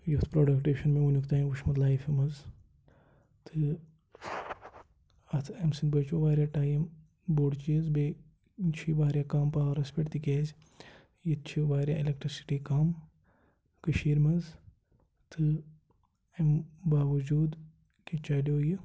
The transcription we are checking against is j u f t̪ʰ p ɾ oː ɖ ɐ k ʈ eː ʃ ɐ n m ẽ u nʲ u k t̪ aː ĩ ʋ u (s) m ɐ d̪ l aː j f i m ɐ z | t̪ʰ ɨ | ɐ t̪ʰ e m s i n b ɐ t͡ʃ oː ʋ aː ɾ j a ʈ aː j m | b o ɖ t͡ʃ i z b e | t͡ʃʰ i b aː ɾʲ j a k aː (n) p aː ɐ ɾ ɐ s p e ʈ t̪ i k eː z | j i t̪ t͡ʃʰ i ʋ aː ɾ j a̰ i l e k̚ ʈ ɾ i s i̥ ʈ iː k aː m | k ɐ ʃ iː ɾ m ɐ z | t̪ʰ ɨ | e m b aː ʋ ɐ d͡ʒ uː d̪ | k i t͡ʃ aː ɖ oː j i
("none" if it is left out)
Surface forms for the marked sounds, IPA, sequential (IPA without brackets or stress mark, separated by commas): ʃ, m